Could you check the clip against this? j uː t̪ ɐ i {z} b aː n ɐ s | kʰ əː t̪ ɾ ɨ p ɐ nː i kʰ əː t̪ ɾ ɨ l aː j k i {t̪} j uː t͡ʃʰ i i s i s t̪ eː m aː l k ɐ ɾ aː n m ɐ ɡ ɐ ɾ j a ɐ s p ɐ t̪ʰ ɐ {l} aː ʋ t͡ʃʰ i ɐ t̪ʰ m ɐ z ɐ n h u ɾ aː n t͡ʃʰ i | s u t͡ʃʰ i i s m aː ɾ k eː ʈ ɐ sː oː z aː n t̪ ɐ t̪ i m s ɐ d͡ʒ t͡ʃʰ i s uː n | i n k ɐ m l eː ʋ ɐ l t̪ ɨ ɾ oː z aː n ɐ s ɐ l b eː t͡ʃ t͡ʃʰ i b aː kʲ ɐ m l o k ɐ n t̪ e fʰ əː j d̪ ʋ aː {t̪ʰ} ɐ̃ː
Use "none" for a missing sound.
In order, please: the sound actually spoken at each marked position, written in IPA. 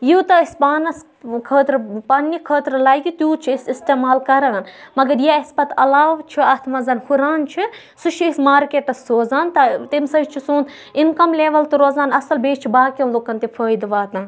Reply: s, t̪, l, t̪

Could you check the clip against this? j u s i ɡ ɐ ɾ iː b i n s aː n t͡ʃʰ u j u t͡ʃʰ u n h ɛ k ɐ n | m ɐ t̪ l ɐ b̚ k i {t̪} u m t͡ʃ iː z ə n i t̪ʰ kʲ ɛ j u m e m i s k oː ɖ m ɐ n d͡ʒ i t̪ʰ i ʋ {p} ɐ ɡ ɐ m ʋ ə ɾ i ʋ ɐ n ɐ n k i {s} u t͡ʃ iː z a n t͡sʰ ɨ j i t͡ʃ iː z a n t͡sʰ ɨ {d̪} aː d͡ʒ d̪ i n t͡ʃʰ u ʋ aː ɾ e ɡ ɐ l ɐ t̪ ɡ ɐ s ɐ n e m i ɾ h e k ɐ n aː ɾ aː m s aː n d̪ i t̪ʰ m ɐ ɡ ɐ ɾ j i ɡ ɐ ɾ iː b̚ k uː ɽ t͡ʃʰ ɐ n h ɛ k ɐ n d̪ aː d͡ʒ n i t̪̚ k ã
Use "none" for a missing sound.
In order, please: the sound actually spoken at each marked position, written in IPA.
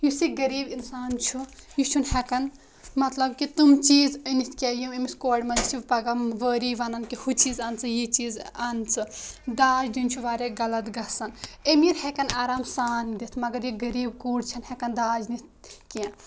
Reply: t̪, p, h, d̪

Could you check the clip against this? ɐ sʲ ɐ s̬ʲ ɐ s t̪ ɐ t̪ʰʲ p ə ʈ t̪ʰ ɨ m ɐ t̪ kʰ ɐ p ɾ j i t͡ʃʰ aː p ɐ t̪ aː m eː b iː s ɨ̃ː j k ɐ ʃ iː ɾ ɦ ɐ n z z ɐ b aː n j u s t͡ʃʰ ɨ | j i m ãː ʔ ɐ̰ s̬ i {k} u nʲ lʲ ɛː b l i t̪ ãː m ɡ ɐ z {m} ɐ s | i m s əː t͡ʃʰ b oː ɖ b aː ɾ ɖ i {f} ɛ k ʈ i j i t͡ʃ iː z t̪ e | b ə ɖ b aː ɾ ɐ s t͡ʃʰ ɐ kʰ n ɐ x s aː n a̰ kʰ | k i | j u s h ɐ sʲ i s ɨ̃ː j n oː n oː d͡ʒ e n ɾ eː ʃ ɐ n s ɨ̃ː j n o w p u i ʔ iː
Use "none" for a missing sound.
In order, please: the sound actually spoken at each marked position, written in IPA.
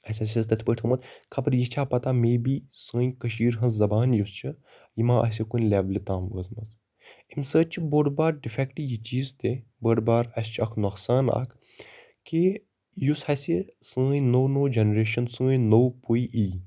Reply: k, m, f

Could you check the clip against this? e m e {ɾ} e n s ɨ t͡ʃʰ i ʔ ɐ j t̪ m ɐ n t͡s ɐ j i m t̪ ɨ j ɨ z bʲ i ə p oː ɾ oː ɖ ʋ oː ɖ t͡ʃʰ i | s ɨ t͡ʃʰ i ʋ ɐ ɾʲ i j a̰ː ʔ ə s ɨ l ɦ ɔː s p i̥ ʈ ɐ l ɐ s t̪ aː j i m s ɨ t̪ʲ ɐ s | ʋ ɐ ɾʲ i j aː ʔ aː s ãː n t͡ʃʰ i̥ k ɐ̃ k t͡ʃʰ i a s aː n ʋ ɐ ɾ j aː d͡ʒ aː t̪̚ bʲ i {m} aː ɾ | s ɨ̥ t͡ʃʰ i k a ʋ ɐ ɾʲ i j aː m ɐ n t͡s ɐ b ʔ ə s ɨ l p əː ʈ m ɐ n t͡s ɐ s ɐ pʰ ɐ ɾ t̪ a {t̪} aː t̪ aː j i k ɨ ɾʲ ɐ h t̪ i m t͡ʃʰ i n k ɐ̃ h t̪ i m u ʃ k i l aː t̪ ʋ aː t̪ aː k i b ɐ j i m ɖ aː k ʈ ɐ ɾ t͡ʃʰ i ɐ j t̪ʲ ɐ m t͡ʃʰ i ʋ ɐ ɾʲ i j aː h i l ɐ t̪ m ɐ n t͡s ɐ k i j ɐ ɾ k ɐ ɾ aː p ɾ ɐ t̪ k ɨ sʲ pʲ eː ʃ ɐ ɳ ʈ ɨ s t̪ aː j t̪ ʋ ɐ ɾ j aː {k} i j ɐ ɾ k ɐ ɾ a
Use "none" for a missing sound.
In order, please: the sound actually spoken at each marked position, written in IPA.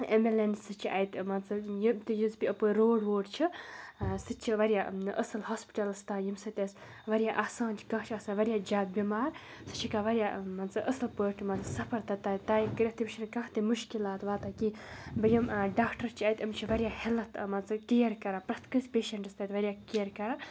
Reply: l, m, t̪, k

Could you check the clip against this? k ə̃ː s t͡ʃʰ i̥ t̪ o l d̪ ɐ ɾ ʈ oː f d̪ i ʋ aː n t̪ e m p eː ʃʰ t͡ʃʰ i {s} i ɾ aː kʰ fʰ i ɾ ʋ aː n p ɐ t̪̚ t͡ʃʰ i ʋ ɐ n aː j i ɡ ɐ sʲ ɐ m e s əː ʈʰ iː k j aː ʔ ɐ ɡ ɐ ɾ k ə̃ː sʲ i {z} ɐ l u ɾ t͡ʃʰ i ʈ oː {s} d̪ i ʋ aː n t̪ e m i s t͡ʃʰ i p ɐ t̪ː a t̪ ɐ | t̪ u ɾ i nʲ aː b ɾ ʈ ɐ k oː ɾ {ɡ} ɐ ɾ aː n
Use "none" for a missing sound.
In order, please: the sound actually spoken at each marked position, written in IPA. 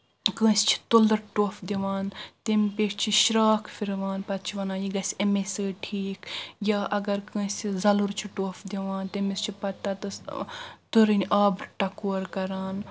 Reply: ʃ, z, f, k

